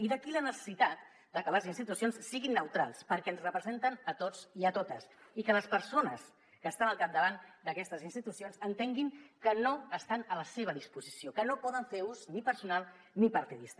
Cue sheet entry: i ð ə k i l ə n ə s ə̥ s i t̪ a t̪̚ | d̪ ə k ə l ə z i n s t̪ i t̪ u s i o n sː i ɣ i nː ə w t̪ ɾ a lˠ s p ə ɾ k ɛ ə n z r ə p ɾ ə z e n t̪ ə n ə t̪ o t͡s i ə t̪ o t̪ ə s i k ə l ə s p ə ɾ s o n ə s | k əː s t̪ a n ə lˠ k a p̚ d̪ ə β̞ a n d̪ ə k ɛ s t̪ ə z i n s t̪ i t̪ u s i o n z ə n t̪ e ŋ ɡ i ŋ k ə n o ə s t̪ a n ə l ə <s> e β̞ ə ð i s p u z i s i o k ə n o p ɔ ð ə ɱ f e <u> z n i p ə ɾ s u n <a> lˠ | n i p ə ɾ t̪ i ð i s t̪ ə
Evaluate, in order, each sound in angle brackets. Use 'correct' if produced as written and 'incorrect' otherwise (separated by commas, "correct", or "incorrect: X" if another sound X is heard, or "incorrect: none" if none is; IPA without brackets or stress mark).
correct, correct, correct